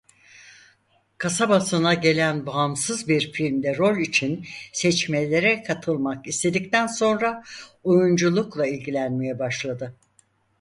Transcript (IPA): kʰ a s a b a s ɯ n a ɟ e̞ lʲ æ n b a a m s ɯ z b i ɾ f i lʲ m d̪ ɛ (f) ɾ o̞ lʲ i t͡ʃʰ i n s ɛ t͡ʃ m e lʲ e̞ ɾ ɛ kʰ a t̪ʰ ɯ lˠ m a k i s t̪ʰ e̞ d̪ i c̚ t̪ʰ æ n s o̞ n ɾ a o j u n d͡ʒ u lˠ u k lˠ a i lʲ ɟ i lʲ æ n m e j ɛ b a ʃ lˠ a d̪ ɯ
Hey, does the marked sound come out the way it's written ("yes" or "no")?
no